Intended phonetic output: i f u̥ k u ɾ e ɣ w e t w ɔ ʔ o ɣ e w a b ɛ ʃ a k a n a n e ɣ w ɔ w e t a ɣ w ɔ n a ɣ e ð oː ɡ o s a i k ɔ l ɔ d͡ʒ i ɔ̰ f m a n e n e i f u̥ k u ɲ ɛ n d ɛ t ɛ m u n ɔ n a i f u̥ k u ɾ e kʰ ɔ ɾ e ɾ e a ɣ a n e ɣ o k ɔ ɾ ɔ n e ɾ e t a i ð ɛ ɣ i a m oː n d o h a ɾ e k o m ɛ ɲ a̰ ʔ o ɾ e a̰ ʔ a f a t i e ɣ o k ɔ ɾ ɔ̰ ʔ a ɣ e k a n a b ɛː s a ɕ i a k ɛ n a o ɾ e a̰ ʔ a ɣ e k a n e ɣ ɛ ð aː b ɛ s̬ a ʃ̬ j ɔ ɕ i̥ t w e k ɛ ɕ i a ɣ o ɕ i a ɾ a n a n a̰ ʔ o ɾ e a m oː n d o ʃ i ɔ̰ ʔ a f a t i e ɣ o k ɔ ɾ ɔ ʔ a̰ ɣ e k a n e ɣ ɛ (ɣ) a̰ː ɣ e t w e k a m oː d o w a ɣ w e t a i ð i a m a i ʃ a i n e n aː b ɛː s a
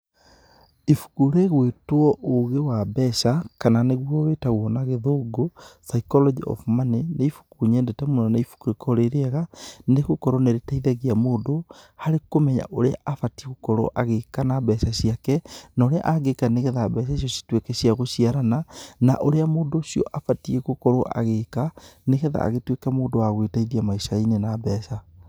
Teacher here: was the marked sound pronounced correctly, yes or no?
no